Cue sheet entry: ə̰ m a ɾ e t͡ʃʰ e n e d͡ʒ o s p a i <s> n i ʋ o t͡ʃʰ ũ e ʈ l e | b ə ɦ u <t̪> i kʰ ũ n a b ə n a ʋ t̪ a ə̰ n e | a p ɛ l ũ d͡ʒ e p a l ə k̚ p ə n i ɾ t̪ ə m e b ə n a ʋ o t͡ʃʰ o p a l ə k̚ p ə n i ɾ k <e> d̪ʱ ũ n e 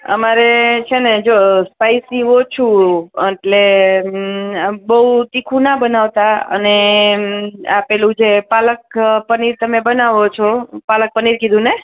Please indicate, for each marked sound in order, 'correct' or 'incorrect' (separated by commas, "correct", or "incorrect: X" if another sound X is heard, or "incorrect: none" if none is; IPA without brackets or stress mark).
correct, correct, incorrect: i